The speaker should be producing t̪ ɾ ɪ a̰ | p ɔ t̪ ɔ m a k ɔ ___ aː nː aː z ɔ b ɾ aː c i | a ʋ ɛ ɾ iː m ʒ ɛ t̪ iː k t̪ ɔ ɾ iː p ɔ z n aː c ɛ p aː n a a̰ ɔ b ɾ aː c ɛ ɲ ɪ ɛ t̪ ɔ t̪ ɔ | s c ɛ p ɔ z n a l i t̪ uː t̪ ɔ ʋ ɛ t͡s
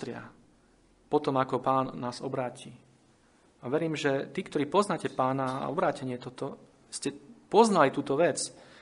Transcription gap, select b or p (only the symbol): p